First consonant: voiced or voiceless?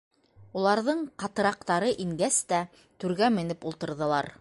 voiced